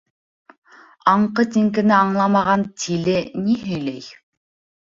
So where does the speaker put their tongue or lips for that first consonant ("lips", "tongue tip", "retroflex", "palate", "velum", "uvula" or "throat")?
uvula